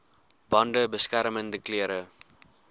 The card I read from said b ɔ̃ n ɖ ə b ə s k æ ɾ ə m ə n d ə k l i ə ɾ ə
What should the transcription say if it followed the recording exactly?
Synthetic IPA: b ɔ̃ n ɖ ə b ə s k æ ɾ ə m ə n d ə k l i ə ɾ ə